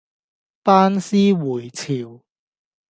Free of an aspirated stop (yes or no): no